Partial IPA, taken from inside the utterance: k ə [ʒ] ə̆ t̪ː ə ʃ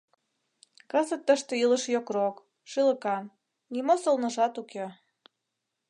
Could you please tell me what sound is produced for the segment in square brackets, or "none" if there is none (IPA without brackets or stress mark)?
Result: z